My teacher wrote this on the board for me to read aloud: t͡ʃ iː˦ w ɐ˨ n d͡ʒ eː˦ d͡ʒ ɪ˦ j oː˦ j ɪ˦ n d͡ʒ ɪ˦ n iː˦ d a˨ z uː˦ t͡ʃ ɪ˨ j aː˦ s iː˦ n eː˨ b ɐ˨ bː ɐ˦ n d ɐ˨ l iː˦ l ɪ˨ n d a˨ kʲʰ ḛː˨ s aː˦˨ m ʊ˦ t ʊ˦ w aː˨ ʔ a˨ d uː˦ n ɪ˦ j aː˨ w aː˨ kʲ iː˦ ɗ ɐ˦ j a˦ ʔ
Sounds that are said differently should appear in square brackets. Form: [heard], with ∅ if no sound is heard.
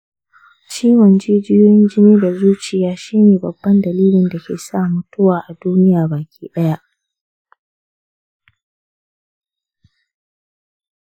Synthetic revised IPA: t͡ʃ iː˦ w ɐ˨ n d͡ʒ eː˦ d͡ʒ ɪ˦ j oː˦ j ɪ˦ n d͡ʒ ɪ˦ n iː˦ d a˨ z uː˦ t͡ʃ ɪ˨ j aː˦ [ʃ] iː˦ n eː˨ b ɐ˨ bː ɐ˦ n d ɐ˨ l iː˦ l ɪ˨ n d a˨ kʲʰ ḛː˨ s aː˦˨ m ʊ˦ t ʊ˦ w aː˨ ʔ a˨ d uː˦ n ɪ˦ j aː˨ [b] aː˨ kʲ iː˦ ɗ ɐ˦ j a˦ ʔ

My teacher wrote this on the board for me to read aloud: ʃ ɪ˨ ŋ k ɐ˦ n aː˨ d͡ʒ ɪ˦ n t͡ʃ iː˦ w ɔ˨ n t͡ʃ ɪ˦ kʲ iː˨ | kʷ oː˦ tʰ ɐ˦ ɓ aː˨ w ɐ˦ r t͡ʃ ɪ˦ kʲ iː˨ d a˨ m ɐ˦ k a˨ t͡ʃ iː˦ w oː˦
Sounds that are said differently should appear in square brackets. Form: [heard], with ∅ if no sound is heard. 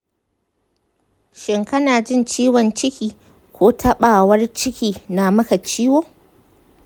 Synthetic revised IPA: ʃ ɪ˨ ŋ k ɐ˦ n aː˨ d͡ʒ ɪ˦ n t͡ʃ iː˦ w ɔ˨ n t͡ʃ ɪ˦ kʲ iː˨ | kʷ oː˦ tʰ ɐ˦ ɓ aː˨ w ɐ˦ r t͡ʃ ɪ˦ kʲ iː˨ [n] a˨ m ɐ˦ k a˨ t͡ʃ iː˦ w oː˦

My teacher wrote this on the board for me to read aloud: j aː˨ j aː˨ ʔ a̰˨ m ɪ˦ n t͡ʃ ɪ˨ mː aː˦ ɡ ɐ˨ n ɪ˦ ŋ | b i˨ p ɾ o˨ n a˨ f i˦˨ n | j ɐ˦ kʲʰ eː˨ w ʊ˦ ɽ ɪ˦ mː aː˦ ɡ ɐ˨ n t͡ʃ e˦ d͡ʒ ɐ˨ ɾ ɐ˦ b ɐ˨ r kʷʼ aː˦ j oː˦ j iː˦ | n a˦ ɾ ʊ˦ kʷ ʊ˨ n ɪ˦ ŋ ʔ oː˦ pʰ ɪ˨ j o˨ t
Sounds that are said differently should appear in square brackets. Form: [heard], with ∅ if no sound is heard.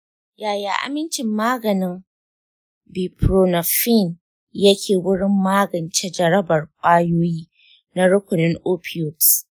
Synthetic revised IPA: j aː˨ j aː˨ ʔ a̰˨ m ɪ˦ n t͡ʃ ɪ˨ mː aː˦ ɡ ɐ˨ n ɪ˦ ŋ | b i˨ p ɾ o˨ n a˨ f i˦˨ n | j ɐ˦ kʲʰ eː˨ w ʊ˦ ɽ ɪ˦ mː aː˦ ɡ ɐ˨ n t͡ʃ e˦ d͡ʒ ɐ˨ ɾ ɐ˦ b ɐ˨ r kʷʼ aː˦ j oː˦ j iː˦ | n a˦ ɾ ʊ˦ kʷ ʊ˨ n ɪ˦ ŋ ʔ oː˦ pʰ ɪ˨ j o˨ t

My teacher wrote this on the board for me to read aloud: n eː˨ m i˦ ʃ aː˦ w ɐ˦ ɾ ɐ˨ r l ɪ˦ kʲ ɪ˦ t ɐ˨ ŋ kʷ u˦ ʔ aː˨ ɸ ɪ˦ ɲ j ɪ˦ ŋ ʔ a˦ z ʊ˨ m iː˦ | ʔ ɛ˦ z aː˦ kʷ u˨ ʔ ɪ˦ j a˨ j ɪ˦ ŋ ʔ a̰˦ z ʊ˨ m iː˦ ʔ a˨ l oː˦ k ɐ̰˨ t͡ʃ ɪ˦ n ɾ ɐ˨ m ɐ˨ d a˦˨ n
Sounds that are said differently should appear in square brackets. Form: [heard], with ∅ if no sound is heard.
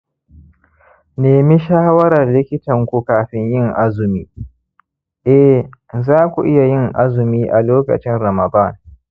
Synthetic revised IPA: n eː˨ m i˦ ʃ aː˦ w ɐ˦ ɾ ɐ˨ r l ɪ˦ kʲ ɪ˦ t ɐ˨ ŋ kʷ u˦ [k] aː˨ ɸ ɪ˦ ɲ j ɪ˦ ŋ ʔ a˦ z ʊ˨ m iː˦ | ʔ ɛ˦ z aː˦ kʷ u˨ ʔ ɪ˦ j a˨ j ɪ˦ ŋ ʔ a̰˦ z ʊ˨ m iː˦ ʔ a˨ l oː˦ k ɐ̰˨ t͡ʃ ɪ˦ n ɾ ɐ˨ m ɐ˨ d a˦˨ n

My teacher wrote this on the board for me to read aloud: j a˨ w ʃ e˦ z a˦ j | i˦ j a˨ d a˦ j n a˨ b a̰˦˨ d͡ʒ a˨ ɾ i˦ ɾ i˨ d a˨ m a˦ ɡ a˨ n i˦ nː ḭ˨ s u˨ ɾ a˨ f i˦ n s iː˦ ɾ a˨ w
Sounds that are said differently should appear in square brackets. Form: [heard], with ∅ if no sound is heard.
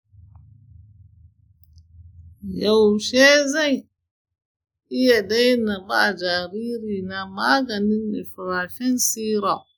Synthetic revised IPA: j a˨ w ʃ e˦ z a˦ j | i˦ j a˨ d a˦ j n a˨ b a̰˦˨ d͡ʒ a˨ ɾ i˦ ɾ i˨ [n] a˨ m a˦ ɡ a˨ n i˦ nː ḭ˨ [f] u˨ ɾ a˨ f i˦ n s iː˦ ɾ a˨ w

